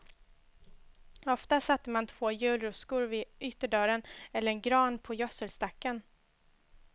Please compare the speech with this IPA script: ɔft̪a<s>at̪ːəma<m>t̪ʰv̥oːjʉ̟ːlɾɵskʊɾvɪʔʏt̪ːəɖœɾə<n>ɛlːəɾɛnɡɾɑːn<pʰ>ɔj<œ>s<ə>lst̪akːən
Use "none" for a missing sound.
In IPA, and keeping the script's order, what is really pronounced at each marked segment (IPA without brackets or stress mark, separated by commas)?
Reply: s, n, n, pʰ, œ, ə